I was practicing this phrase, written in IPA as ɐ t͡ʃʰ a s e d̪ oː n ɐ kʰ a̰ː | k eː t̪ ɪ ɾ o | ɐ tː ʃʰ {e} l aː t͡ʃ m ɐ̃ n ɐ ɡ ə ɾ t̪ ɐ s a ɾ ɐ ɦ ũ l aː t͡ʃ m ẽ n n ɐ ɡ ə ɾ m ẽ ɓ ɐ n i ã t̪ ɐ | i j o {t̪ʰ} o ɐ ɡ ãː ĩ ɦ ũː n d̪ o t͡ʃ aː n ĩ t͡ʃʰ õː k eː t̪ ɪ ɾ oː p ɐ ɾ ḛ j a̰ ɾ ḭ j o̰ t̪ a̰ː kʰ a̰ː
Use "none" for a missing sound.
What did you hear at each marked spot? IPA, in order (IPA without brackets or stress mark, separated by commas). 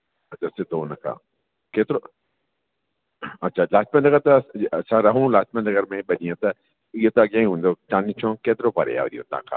a, t̪